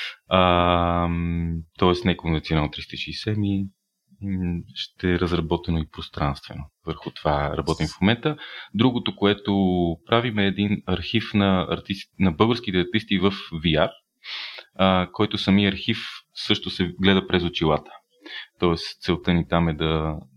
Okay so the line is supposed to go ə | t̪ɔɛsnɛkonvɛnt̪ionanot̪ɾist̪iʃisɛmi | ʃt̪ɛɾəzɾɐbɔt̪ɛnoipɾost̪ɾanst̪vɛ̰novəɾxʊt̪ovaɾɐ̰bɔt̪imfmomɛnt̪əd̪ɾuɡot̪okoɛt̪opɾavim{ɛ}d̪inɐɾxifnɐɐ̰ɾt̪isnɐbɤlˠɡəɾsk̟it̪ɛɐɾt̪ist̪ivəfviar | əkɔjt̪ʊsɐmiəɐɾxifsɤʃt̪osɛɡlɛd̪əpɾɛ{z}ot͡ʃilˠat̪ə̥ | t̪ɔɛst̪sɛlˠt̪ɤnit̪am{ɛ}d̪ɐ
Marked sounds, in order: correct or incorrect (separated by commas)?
incorrect, correct, correct